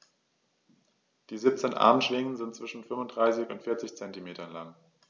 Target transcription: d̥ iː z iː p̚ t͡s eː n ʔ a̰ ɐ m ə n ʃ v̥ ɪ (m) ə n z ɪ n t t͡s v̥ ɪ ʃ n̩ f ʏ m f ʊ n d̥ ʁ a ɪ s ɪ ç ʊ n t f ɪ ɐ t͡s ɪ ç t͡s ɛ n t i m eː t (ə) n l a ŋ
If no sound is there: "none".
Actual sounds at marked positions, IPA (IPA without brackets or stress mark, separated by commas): ŋ, ɐ